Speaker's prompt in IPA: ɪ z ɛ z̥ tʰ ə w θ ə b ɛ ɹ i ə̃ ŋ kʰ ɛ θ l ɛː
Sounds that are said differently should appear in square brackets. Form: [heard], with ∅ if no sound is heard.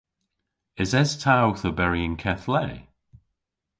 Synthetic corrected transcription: ɪ z ɛ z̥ tʰ [a] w θ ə b ɛ ɹ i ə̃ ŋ kʰ ɛ θ l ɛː